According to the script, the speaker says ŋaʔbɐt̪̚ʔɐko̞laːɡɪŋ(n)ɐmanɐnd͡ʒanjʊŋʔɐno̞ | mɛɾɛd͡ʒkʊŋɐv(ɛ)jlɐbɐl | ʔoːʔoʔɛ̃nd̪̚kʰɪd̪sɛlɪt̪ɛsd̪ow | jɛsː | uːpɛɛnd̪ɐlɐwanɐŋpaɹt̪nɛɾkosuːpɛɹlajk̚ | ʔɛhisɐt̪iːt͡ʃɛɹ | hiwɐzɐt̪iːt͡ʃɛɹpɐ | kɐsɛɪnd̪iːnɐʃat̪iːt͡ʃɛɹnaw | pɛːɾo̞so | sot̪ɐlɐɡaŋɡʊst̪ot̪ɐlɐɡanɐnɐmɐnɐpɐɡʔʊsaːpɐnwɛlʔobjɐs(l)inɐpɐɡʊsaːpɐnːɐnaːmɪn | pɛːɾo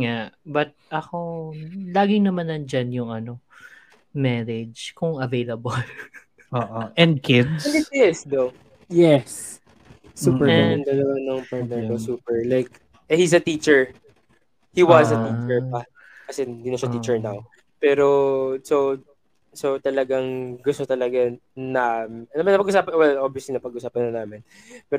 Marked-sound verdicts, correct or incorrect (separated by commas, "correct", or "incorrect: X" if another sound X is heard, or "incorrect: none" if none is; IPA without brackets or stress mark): correct, incorrect: e, correct